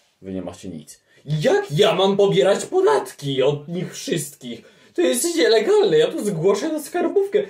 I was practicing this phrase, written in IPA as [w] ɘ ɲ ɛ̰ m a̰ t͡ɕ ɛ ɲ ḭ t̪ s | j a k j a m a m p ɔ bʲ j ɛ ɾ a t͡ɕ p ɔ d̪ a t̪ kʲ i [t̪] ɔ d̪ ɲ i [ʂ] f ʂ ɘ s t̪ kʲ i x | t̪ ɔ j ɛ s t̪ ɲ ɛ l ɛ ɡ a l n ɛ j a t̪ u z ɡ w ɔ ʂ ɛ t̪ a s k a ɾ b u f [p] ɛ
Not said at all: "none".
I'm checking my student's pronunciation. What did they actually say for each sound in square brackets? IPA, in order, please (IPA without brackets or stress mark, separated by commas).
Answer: v, none, x, k